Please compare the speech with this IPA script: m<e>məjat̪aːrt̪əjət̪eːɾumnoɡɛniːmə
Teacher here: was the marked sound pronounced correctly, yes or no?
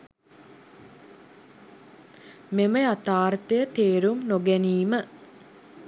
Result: yes